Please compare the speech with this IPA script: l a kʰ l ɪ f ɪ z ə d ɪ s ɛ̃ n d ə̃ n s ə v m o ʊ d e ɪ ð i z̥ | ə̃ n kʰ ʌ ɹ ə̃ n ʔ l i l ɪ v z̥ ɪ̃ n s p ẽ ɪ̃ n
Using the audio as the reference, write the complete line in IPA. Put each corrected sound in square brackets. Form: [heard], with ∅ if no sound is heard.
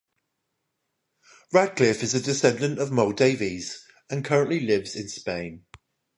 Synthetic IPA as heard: [ɹ] a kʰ l ɪ f ɪ z ə d ɪ s ɛ̃ n d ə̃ n [t] ə v m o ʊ d e ɪ [v] i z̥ | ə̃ n kʰ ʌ ɹ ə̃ n ʔ l i l ɪ v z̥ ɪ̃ n s p ẽ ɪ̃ n